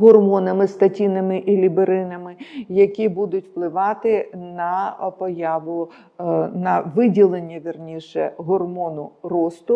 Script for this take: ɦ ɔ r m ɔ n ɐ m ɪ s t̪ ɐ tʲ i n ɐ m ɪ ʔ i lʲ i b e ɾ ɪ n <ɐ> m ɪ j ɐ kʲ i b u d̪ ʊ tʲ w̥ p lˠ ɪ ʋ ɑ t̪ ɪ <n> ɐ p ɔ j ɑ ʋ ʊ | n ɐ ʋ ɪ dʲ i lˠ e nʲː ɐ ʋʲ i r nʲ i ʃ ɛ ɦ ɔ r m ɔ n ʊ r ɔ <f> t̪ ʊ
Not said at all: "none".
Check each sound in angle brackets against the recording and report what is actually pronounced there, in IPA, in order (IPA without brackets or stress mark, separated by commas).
ɐ, n, s